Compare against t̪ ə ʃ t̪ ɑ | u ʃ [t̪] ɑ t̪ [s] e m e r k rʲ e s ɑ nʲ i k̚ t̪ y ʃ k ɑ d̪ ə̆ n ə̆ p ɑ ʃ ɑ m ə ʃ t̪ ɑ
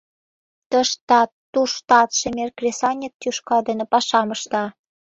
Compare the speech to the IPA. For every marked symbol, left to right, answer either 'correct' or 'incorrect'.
correct, incorrect

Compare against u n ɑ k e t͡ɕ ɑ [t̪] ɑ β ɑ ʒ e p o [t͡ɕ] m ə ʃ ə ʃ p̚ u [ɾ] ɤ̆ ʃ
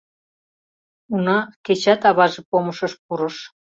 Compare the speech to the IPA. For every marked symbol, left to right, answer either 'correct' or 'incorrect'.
correct, incorrect, correct

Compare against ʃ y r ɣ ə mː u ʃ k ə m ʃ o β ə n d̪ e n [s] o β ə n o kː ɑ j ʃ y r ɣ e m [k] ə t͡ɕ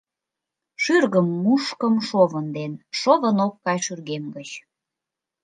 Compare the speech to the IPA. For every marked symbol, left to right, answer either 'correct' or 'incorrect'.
incorrect, incorrect

